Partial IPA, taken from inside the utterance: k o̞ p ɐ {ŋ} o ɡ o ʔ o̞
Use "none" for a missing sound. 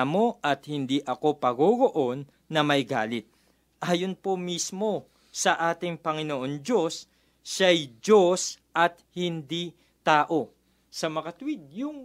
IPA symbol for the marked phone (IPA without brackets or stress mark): ɡ